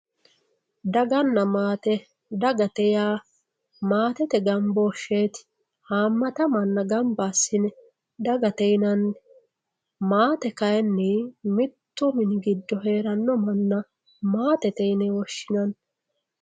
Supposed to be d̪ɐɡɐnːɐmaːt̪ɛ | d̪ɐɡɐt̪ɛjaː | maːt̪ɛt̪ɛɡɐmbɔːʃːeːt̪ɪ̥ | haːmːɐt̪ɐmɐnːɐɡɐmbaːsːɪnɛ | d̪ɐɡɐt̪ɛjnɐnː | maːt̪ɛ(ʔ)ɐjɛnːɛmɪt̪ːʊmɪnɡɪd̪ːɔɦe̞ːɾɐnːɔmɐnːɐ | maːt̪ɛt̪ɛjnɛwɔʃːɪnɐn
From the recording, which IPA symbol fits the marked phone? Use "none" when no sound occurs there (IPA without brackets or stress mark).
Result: k